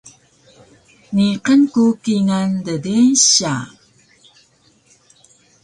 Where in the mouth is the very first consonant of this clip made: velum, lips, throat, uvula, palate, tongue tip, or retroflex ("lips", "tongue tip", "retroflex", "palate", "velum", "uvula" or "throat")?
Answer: tongue tip